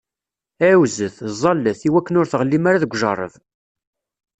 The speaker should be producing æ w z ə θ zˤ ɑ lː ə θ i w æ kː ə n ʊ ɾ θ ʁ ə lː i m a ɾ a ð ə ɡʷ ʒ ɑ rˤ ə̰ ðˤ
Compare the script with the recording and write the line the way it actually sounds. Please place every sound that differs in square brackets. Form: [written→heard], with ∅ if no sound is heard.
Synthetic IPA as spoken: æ w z ə θ zˤ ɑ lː ə θ i w æ kː ə n ʊ ɾ θ ʁ ə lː i m a ɾ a ð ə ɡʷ ʒ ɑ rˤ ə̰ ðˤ